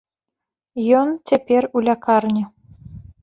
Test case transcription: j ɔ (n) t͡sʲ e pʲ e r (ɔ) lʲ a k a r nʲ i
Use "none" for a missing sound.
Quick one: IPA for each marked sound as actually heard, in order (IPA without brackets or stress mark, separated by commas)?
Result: n, u